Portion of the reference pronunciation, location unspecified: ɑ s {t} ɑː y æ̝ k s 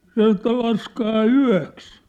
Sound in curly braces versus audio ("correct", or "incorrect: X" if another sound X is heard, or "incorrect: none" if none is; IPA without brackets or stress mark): incorrect: k